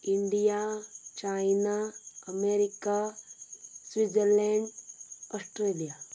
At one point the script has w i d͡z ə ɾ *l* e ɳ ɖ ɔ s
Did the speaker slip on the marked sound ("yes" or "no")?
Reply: no